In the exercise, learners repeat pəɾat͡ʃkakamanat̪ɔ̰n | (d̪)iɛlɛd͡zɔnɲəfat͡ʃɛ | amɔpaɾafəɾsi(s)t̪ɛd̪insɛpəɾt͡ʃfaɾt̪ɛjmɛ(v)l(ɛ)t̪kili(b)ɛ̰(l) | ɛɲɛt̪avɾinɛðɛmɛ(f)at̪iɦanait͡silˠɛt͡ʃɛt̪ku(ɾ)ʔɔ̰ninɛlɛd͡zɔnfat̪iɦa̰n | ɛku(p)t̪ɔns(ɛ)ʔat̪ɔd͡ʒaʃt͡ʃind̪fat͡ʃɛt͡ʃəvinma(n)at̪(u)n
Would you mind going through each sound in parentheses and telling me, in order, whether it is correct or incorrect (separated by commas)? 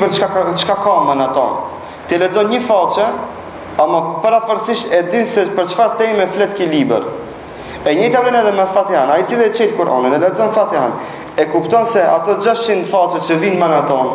incorrect, incorrect, incorrect, correct, correct, incorrect, correct, correct, correct, correct, correct, incorrect